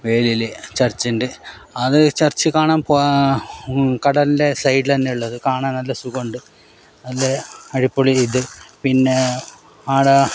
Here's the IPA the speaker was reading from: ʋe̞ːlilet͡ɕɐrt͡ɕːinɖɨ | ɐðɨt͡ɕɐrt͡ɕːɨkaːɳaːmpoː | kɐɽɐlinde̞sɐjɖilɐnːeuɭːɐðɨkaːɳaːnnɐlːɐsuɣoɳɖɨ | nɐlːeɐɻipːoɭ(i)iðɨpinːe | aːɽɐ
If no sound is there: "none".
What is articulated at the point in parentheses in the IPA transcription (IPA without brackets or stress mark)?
i